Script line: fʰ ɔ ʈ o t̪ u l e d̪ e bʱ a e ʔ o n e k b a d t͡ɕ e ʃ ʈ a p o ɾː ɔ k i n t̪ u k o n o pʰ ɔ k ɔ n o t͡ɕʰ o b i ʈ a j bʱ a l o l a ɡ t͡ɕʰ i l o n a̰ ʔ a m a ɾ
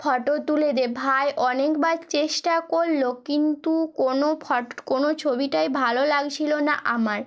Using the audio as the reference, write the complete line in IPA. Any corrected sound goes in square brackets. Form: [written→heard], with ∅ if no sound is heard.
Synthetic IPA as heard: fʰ ɔ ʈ o t̪ u l e d̪ e bʱ a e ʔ [o→ɔ] n e k b a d t͡ɕ e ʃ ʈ a [p→k] o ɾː [ɔ→o] k i n t̪ u k o n o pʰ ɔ k [ɔ→o] n o t͡ɕʰ o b i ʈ a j bʱ a l o l a ɡ t͡ɕʰ i l o n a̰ ʔ a m a ɾ